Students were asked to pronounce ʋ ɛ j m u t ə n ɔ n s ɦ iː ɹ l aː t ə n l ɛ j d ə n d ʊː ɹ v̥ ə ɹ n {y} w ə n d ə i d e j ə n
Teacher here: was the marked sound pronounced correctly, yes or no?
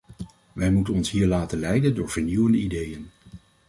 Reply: no